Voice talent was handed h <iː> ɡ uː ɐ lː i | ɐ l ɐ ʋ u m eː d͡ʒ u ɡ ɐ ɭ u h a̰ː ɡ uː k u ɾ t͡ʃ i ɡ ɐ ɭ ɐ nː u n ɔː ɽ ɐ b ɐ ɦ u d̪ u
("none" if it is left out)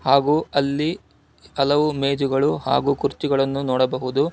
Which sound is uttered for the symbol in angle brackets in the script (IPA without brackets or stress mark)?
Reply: aː